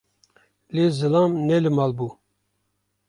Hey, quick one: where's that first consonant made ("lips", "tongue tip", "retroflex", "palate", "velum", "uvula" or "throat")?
tongue tip